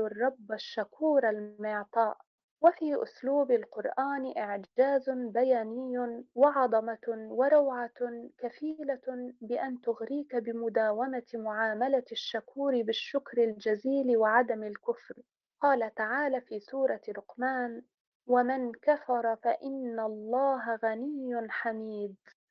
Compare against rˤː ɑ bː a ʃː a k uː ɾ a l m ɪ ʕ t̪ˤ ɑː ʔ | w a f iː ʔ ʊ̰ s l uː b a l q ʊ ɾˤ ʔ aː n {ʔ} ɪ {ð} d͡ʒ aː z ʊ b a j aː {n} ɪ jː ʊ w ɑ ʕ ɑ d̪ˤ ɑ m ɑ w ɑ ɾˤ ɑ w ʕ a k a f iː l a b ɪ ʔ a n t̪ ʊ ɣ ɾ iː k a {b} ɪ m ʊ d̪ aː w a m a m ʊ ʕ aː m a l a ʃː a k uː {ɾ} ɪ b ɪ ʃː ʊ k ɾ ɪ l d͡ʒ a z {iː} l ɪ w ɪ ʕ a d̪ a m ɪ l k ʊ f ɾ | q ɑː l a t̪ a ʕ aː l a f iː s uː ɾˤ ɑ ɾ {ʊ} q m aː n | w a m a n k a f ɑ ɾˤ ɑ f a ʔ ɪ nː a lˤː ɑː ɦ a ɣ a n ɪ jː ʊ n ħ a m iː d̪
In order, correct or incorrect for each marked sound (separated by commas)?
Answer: correct, incorrect, correct, correct, correct, correct, correct